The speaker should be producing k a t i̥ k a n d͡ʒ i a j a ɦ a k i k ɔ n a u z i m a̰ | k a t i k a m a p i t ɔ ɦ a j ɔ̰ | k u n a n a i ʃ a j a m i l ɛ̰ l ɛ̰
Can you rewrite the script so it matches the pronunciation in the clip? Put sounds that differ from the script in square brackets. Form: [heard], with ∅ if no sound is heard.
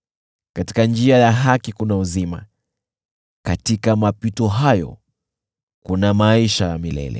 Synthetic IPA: k a t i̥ k a n d͡ʒ i a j a ɦ a k i k [u] n a u z i m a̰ | k a t i k a m a p i t ɔ ɦ a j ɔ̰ | k u n a [m] a i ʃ a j a m i l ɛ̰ l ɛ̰